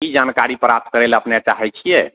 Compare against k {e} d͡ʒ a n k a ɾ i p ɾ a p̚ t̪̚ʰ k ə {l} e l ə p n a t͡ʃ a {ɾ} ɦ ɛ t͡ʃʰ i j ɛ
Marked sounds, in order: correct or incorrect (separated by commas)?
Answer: incorrect, incorrect, incorrect